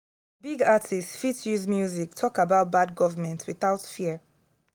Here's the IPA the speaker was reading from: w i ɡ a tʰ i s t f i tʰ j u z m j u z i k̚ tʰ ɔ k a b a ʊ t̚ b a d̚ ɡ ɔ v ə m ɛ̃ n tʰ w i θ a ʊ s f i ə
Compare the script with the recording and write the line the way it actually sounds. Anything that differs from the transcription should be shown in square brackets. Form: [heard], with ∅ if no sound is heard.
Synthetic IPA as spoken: [b] i ɡ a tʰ i s t f i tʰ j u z m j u z i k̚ tʰ ɔ k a b a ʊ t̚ b a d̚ ɡ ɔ v ə m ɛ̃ n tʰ w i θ a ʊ [t] f i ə

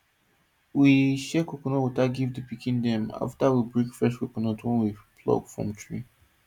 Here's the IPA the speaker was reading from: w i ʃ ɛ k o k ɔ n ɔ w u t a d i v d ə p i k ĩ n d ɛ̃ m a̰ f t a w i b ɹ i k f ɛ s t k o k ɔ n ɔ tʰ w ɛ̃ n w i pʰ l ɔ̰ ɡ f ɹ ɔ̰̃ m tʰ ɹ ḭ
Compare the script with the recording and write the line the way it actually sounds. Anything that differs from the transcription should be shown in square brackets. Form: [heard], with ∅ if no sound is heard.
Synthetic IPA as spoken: w i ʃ ɛ k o k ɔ n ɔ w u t a [ɡ] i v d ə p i k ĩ n d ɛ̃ m a̰ f t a w i b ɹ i k f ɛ s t k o k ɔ n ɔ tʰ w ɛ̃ n w i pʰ l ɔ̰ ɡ f ɹ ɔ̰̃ m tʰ ɹ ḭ

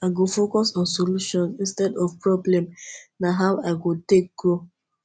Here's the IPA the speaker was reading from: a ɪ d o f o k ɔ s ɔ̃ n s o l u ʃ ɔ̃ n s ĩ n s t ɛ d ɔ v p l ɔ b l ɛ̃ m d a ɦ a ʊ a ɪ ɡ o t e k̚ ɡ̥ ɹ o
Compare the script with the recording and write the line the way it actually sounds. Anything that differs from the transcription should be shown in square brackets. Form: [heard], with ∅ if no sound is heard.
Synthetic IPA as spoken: a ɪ [ɡ] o f o k ɔ s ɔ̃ n s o l u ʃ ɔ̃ n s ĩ n s t ɛ d ɔ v p [ɹ] ɔ b l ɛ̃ m [n] a ɦ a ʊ a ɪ ɡ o t e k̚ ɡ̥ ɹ o

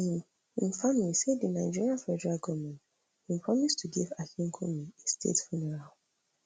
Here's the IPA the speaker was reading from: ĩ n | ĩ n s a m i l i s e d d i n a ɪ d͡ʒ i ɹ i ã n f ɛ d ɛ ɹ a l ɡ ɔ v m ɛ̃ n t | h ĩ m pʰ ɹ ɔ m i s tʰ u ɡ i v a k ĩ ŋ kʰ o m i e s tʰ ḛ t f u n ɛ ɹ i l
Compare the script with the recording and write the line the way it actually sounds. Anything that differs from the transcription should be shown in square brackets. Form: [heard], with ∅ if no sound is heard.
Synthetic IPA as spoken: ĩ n | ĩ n [f] a m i l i s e d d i n a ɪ d͡ʒ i ɹ i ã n f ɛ d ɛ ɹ a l ɡ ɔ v m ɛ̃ n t | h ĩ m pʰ ɹ ɔ m i s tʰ u ɡ i v a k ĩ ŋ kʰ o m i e s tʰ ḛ t f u n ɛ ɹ [a] l

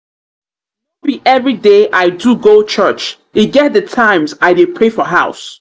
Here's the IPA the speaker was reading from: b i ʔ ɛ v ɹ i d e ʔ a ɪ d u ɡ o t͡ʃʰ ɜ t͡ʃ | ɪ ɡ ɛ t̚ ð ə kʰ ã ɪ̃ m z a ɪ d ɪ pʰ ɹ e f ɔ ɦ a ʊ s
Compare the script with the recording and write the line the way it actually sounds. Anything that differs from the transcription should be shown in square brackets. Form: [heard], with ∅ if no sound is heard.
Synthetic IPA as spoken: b i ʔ ɛ v ɹ i d e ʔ a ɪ d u ɡ o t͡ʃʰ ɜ t͡ʃ | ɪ ɡ ɛ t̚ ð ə [tʰ] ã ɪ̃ m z a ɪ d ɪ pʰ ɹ e f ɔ ɦ a ʊ s

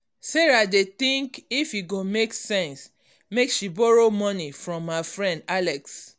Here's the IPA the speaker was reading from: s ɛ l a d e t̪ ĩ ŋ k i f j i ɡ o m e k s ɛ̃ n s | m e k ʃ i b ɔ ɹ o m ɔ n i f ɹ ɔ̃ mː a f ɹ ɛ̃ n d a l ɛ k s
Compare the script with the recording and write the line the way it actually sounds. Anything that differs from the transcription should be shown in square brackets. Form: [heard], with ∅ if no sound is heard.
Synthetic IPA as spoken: s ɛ [ɹ] a d e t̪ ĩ ŋ k i f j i ɡ o m e k s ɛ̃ n s | m e k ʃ i b ɔ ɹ o m ɔ n i f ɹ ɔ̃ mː a f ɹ ɛ̃ n d a l ɛ k s

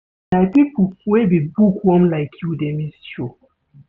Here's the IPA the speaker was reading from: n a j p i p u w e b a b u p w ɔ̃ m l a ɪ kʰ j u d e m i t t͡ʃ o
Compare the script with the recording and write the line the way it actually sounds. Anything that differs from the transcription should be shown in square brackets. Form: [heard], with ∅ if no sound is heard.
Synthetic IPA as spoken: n a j p i p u w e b [i] b u [k] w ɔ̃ m l a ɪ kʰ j u d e m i [s] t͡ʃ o

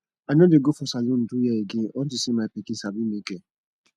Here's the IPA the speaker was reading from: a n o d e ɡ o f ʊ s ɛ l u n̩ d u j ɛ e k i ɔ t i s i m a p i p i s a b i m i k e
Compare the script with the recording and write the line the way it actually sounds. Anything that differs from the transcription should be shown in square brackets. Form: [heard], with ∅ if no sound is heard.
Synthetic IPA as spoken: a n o d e ɡ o f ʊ s [a] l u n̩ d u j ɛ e [ɡ] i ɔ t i s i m a p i [k] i s a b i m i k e

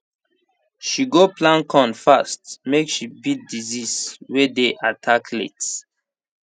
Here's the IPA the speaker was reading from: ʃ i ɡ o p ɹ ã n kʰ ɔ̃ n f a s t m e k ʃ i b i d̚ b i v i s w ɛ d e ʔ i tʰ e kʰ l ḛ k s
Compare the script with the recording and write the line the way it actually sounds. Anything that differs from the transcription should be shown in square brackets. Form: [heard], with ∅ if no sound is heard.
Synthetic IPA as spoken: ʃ i ɡ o p [l] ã n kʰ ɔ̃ n f a s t m e k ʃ i b i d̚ [d] i [z] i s w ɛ d e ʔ [a] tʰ [a] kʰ l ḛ [t] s

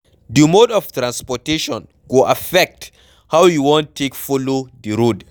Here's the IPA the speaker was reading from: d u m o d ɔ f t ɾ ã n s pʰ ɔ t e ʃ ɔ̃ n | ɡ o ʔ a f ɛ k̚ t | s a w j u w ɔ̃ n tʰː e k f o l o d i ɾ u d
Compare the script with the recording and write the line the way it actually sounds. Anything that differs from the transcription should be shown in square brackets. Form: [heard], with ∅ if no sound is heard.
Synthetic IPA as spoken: d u m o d ɔ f t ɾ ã n s [p] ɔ t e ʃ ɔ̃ n | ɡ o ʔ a f ɛ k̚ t | [h] a w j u w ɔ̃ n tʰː e k f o l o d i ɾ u d

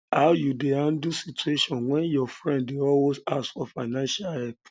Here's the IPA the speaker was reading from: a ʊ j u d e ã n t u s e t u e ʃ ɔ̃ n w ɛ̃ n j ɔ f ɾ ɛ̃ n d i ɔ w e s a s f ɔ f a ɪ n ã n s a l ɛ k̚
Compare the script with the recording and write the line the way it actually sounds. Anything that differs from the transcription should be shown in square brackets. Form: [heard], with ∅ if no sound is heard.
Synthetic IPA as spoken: a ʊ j u d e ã n [d] u s [i] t u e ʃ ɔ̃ n w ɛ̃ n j ɔ f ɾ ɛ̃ n d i ɔ w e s a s f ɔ f a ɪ n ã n [ʃ] a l ɛ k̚

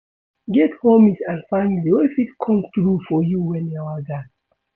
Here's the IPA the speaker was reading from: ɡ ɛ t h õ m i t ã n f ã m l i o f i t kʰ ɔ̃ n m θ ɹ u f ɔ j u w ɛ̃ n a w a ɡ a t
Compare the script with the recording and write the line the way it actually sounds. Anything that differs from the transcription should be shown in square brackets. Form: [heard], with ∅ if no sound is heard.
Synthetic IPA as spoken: ɡ ɛ t h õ m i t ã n f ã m l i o f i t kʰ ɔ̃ [∅] m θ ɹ u f ɔ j u w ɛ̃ n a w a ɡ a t

